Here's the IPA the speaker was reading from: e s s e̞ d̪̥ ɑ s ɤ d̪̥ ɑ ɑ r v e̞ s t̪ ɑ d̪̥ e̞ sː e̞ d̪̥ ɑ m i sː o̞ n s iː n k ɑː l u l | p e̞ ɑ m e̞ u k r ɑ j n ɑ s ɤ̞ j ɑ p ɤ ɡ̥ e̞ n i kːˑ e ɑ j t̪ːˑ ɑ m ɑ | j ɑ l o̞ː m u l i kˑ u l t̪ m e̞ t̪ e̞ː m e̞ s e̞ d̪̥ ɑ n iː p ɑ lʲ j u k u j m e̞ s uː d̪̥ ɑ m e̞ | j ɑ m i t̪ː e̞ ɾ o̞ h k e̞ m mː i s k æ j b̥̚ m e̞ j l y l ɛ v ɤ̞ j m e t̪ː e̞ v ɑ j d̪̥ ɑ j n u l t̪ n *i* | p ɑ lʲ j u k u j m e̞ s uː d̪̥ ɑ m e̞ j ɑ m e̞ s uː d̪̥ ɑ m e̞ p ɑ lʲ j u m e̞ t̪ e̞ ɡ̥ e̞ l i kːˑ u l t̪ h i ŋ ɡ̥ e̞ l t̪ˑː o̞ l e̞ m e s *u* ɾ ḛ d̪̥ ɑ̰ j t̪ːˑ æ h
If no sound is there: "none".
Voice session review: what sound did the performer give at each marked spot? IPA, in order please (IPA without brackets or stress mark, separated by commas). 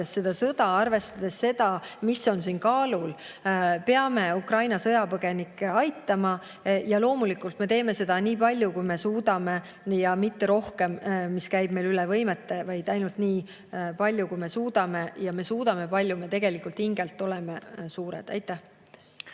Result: iː, uː